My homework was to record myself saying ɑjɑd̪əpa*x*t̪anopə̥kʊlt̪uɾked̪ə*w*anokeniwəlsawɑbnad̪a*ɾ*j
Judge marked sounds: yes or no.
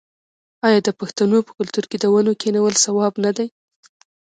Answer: yes, yes, no

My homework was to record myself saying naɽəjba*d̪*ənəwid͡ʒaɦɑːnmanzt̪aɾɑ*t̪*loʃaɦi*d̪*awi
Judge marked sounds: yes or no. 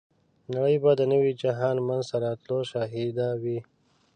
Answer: yes, yes, yes

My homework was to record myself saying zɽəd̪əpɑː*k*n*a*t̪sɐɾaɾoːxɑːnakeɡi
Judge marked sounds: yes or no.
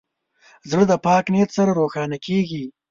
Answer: yes, no

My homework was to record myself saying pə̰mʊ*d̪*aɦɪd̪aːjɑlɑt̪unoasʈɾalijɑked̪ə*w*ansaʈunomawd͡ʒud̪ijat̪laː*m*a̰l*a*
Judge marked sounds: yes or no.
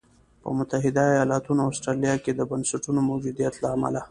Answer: no, no, yes, yes

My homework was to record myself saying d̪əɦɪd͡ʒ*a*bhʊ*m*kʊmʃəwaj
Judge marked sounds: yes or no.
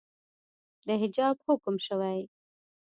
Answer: no, no

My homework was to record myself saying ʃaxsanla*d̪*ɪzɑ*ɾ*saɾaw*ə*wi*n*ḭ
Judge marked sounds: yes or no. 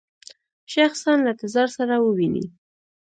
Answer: no, yes, yes, yes

